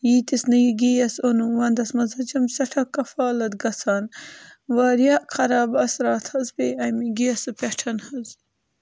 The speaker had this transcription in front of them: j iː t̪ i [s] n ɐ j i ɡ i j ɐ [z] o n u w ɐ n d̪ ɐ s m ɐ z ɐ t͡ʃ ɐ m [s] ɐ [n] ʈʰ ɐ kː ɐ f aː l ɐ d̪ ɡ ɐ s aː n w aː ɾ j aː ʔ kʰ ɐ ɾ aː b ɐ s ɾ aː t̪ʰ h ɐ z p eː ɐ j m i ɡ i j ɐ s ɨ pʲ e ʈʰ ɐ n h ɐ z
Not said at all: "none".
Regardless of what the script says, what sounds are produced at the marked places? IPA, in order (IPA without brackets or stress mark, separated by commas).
s, s, s, none